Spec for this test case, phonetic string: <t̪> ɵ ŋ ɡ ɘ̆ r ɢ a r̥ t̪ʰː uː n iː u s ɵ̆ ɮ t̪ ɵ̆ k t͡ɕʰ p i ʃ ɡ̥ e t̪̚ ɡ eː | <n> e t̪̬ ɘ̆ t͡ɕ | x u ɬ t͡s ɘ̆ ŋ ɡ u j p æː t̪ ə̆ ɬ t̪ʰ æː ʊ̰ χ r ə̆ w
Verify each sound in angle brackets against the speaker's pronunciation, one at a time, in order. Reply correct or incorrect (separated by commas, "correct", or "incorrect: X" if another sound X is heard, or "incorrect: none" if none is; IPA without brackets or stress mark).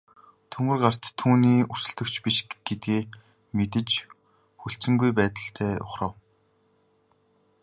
incorrect: t̪ʰ, incorrect: m